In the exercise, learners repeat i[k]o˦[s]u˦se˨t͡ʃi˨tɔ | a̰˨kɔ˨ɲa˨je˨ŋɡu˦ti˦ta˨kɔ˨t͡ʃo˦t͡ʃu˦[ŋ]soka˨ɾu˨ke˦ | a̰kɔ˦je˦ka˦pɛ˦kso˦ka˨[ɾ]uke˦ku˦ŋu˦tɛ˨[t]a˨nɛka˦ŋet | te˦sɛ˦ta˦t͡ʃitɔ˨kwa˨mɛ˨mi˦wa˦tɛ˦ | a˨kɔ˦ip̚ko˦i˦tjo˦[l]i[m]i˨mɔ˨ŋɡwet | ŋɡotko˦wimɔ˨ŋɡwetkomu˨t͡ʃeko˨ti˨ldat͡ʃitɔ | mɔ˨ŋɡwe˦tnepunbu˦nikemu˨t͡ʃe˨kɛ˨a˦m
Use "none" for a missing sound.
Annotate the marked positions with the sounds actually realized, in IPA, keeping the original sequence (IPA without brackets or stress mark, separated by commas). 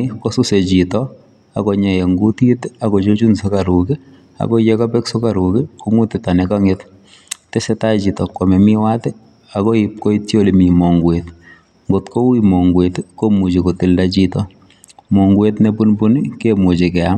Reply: k, s, n, ɾ, t, l, m